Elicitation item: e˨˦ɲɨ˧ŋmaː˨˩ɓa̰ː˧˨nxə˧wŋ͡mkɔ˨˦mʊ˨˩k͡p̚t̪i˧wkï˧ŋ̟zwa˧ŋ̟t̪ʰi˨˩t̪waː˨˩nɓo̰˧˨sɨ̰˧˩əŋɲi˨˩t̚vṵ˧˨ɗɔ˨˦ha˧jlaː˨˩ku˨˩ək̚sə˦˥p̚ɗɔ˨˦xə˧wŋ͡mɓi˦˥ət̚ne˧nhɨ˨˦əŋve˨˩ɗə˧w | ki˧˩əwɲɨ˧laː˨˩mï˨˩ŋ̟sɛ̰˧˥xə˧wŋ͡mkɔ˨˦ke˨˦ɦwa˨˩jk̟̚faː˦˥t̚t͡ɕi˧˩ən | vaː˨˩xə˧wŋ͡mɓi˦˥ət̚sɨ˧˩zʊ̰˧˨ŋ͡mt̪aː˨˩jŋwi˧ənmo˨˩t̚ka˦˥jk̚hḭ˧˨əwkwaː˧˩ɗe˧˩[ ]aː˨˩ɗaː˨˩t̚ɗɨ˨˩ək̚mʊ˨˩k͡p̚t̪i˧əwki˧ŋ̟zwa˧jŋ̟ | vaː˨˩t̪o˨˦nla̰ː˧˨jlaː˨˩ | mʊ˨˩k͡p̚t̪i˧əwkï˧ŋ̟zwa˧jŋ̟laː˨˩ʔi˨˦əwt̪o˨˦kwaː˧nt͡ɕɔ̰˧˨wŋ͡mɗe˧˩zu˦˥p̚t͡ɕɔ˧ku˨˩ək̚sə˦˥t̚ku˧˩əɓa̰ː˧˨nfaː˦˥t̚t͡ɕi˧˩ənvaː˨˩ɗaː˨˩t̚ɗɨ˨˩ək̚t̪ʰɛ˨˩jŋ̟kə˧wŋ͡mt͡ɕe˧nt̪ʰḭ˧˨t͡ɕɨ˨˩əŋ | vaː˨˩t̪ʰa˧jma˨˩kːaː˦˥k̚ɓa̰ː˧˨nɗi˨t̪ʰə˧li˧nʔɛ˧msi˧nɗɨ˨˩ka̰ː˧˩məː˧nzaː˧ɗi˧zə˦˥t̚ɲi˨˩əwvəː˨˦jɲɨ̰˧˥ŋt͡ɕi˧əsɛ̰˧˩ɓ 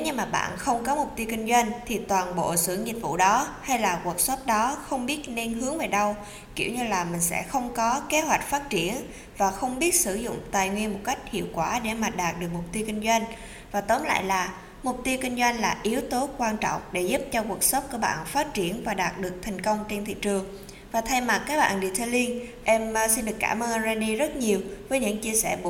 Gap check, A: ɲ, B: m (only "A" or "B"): B